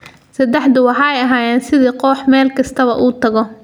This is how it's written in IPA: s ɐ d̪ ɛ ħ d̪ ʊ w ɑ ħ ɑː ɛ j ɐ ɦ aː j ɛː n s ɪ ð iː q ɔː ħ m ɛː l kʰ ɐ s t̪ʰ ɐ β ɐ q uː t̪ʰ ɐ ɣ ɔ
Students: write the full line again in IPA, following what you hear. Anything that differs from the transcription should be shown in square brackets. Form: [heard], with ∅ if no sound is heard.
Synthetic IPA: s ɐ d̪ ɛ ħ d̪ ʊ w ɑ ħ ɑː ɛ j ɐ ɦ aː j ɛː n s ɪ ð iː q ɔː ħ m ɛː l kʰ ɐ s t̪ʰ ɐ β ɐ [ʔ] uː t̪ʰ ɐ ɣ ɔ